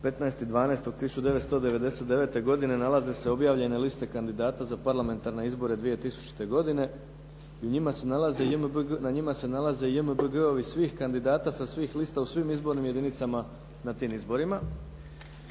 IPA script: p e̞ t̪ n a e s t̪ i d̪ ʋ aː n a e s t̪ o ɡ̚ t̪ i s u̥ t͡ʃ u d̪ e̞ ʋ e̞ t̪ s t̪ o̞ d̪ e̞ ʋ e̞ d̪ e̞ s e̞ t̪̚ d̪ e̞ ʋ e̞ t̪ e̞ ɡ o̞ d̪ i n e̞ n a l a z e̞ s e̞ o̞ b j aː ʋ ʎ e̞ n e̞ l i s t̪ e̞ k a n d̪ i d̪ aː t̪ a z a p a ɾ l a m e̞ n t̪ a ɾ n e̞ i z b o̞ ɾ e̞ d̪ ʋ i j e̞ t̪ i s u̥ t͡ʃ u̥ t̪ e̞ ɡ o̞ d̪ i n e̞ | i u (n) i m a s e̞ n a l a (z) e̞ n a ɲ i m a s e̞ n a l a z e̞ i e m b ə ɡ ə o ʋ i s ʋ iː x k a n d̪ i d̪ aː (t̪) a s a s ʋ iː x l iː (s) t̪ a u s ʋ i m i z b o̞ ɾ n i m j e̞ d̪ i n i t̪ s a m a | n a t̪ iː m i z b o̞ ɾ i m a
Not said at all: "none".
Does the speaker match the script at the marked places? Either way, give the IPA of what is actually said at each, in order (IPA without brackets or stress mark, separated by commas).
ɲ, z, t̪, s